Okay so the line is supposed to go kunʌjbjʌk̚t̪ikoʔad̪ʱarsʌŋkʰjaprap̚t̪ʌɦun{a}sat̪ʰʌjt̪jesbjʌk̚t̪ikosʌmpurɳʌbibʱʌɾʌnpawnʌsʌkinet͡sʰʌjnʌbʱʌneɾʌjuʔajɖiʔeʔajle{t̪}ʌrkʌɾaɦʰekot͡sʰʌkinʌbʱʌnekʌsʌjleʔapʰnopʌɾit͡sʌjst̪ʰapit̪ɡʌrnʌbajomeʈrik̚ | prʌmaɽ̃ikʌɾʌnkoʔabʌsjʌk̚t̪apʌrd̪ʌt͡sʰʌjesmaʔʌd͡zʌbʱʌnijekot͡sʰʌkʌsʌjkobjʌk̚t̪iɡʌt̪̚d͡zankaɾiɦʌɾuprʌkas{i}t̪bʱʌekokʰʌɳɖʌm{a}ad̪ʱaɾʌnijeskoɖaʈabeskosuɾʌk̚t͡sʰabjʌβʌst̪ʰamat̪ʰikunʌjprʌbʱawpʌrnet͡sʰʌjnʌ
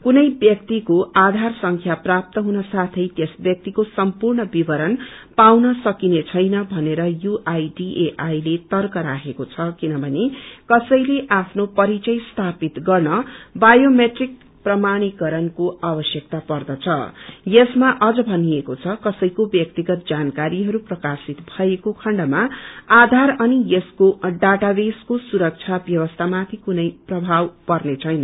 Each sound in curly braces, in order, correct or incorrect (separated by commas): incorrect, correct, correct, correct